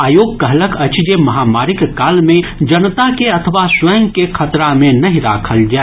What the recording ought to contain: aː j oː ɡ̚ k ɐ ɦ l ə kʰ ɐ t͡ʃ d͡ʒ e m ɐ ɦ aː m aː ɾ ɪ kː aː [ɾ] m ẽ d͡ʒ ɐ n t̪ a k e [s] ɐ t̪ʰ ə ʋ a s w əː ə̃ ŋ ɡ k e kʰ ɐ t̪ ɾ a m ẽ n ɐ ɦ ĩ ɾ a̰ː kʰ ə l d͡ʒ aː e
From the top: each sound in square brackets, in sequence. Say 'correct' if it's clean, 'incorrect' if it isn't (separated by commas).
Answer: incorrect, incorrect